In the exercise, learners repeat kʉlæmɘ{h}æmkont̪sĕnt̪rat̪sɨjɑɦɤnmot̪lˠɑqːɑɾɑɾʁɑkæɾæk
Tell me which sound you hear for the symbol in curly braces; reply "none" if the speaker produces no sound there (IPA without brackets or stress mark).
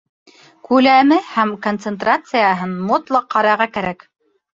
h